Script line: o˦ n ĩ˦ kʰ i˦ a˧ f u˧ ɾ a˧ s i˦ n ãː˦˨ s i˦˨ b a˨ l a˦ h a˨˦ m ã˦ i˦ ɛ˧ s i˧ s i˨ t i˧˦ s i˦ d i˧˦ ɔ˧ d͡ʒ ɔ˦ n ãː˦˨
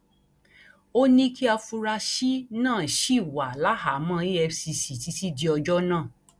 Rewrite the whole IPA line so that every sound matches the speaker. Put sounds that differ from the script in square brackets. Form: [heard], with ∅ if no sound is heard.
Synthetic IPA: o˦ n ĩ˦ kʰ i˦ a˧ f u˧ ɾ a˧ [ʃ] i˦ n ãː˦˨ [ʃ] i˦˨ [w] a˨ l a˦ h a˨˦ m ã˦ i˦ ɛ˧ s i˧ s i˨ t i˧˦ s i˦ d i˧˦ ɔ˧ d͡ʒ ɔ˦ n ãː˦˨